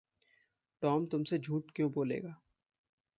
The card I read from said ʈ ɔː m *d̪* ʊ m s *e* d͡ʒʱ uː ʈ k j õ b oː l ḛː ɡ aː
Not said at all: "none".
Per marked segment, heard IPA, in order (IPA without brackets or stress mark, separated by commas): t̪, e